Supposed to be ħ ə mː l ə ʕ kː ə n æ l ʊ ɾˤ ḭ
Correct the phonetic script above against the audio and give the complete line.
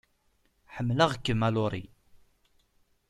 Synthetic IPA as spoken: ħ ə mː l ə ʁ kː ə m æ l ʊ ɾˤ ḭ